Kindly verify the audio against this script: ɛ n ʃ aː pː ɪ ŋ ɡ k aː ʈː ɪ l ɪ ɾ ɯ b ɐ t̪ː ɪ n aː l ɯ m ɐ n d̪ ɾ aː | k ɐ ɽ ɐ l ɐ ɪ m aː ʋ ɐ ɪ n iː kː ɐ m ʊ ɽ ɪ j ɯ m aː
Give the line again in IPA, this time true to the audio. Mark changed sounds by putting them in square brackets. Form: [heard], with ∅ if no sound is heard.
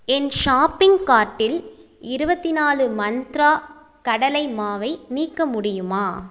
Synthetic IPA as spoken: ɛ n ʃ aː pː ɪ ŋ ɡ k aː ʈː ɪ l ɪ ɾ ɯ b ɐ t̪ː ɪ n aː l ɯ m ɐ n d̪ ɾ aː | k ɐ ɽ ɐ l ɐ ɪ m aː ʋ ɐ ɪ n iː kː ɐ m ʊ ɽ ɪ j ɯ m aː